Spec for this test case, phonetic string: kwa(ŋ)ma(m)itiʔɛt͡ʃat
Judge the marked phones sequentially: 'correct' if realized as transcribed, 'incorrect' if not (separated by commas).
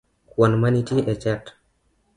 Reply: incorrect, incorrect